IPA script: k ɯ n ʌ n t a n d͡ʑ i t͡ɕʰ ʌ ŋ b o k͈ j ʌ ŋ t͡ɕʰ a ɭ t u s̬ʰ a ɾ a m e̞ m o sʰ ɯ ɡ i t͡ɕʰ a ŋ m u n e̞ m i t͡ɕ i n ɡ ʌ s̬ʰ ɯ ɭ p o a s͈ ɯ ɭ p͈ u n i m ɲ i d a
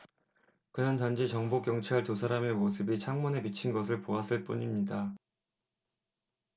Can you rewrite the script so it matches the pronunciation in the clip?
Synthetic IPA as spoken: k ɯ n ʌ n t a n d͡ʑ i t͡ɕ ʌ ŋ b o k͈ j ʌ ŋ t͡ɕʰ a ɭ t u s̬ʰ a ɾ a m e̞ m o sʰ ɯ b i t͡ɕʰ a ŋ m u n e̞ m i t͡ɕʰ i n ɡ ʌ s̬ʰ ɯ ɭ p o a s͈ ɯ ɭ p͈ u ɲ i m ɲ i d a

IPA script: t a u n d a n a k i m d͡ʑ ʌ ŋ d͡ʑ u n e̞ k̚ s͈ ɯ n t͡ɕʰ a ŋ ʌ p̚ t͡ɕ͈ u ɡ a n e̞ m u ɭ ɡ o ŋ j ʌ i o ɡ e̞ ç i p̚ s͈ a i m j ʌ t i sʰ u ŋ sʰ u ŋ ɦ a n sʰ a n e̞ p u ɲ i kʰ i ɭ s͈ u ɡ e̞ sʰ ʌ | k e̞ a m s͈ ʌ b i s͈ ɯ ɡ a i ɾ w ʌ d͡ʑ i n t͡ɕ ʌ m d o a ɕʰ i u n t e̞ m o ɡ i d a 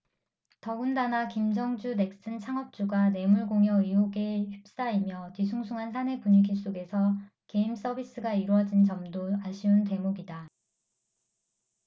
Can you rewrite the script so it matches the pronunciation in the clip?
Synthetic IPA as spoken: t ʌ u n d a n a k i m d͡ʑ ʌ ŋ d͡ʑ u n e̞ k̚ s͈ ɯ n t͡ɕʰ a ŋ ʌ p̚ t͡ɕ͈ u ɡ a n e̞ m u ɭ ɡ o ŋ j ʌ i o ɡ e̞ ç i p̚ s͈ a i m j ʌ t i sʰ u ŋ sʰ u ŋ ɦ a n sʰ a n e̞ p u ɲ i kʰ i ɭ s͈ o ɡ e̞ sʰ ʌ | k e̞ i m s͈ ʌ b i s͈ ɯ ɡ a i ɾ w ʌ d͡ʑ i n t͡ɕ ʌ m d o a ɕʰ i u n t e̞ m o ɡ i d a

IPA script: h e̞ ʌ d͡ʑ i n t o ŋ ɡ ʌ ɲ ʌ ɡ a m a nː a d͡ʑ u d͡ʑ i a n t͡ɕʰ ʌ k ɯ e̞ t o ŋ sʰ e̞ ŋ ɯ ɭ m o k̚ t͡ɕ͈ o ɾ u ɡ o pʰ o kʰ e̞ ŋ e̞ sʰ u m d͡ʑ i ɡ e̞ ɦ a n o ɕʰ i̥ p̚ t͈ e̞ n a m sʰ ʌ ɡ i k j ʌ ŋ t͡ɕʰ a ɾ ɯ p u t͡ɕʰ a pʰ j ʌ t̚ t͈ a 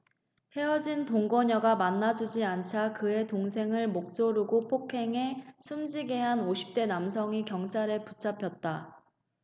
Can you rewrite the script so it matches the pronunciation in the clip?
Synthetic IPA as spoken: h e̞ ʌ d͡ʑ i n t o ŋ ɡ ʌ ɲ ʌ ɡ a m a nː a d͡ʑ u d͡ʑ i a n t͡ɕʰ a k ɯ e̞ t o ŋ sʰ e̞ ŋ ɯ ɭ m o k̚ t͡ɕ͈ o ɾ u ɡ o pʰ o kʰ e̞ ŋ e̞ sʰ u m d͡ʑ i ɡ e̞ ɦ a n o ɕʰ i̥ p̚ t͈ e̞ n a m sʰ ʌ ŋ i k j ʌ ŋ t͡ɕʰ a ɾ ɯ p u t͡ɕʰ a pʰ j ʌ t̚ t͈ a

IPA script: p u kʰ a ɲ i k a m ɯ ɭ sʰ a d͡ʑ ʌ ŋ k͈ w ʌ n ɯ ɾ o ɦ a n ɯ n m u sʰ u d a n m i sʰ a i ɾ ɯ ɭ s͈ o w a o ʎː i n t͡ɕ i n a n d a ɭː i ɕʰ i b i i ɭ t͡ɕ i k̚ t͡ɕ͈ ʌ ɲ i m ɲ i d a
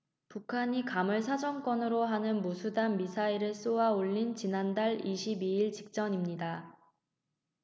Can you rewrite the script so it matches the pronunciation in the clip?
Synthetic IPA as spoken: p u kʰ a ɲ i k a m ɯ ɭ sʰ a d͡ʑ ʌ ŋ k͈ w ʌ n ɯ ɾ o ɦ a n ɯ n m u sʰ u d a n m i sʰ a i ɾ ɯ ɭ s͈ o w a o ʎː i n t͡ɕ i n a n d a ɭ i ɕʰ i b i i ɭ t͡ɕ i k̚ t͡ɕ͈ ʌ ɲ i m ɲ i d a

